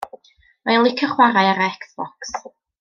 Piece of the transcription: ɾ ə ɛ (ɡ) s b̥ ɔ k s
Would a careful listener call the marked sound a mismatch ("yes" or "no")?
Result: yes